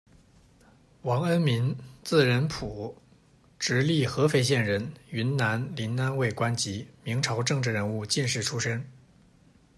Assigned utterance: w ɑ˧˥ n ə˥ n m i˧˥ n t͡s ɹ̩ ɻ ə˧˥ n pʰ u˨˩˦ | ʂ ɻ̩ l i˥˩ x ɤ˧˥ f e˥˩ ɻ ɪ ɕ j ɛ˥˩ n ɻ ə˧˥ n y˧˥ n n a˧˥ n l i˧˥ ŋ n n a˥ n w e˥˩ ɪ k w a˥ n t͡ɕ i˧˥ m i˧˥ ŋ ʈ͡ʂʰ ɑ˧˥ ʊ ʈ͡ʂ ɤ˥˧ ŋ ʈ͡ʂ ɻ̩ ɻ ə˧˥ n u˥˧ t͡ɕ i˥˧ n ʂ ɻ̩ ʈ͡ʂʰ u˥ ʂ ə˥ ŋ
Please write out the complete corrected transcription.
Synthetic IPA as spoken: w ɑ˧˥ ŋ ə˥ n m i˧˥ n t͡s ɹ̩ ɻ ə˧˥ n pʰ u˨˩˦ | ʈ͡ʂ ɻ̩ l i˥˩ x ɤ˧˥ f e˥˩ ɪ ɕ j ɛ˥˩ n ɻ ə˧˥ n y˧˥ n n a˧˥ n l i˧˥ n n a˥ n w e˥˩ ɪ k w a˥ n t͡ɕ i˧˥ m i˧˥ ŋ ʈ͡ʂʰ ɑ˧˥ ʊ ʈ͡ʂ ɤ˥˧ ŋ ʈ͡ʂ ɻ̩ ɻ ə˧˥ n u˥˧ t͡ɕ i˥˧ n ʂ ɻ̩ ʈ͡ʂʰ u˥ ʂ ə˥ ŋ